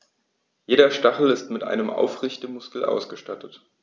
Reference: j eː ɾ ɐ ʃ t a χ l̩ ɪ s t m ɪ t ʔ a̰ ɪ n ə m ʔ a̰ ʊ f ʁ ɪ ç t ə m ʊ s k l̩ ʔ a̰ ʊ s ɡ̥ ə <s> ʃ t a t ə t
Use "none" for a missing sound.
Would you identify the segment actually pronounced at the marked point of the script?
none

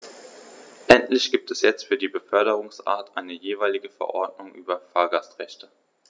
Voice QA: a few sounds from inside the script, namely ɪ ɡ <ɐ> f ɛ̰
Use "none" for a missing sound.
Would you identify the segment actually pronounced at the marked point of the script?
ə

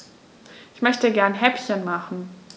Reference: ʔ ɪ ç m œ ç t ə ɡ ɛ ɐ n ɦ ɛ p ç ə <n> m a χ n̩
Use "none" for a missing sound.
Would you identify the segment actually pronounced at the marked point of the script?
n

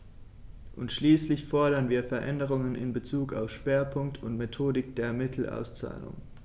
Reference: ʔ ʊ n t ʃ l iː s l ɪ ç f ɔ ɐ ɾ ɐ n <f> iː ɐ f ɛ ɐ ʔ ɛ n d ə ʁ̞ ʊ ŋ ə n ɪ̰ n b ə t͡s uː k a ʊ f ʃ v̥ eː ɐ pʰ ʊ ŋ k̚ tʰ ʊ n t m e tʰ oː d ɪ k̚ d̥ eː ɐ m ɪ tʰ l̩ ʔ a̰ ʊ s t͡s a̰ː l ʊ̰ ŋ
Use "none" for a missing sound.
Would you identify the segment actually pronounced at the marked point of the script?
v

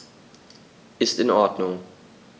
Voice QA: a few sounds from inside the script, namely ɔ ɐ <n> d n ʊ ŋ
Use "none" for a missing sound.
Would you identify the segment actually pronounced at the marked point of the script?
none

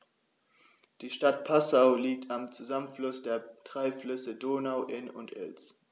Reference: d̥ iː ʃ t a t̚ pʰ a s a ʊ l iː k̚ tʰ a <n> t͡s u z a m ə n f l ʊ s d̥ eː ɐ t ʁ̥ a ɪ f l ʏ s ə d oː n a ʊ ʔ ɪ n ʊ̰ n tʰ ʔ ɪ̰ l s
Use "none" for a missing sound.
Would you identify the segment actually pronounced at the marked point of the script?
m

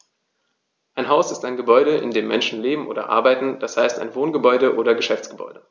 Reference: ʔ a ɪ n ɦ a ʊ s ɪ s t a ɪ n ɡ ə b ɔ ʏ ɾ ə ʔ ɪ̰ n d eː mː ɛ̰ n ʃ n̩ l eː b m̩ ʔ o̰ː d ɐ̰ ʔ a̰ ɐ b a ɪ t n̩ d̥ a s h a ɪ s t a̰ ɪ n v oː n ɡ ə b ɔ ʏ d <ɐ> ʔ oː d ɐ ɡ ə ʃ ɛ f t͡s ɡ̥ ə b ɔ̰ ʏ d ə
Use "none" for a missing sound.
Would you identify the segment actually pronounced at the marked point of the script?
ə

